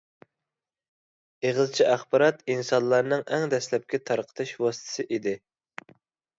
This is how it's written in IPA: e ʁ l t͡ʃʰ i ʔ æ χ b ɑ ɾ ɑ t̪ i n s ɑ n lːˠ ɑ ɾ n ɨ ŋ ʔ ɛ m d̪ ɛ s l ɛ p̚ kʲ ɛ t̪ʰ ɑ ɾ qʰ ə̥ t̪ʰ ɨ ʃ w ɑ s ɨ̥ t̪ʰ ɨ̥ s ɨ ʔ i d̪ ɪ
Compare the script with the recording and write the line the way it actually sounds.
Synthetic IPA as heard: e ʁ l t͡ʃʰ i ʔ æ χ b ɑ ɾ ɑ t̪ i n s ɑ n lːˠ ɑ ɾ n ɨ ŋ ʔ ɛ ŋ d̪ ɛ s l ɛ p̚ kʲ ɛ t̪ʰ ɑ ɾ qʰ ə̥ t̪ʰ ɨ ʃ w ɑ s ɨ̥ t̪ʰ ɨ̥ s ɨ ʔ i d̪ ɪ